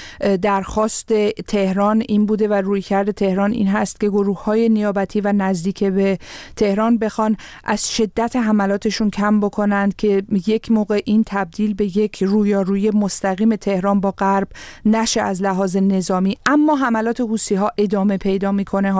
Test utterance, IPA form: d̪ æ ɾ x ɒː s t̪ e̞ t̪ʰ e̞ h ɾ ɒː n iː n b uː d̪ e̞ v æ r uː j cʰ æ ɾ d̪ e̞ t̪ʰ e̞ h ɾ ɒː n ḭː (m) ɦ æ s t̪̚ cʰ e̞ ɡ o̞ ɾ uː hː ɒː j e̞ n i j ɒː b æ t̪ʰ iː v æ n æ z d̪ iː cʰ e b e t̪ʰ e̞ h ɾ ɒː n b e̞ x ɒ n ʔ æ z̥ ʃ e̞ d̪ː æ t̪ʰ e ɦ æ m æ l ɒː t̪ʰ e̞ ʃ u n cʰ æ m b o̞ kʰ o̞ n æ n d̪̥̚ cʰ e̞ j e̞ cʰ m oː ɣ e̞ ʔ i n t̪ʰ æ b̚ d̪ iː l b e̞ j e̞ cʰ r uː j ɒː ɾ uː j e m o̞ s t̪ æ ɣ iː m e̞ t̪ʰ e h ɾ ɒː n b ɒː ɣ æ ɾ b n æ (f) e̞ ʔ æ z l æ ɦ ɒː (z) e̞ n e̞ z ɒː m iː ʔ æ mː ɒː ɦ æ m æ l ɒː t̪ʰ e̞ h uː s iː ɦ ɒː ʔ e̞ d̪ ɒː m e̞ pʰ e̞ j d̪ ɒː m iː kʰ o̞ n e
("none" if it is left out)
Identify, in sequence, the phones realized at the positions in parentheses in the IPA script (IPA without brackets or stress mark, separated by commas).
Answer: n, ʃ, z